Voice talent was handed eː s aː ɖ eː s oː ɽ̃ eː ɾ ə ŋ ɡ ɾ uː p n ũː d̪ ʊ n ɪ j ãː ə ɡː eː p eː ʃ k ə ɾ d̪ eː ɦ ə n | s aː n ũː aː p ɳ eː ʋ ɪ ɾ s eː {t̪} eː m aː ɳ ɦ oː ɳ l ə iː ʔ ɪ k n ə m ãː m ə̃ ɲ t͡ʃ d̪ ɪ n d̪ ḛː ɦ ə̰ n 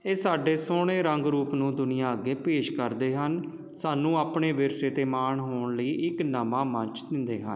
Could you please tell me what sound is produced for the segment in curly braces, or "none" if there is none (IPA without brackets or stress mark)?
t̪